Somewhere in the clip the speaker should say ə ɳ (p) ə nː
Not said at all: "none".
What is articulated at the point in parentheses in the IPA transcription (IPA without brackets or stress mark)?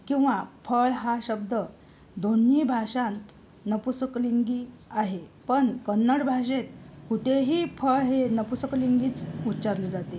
k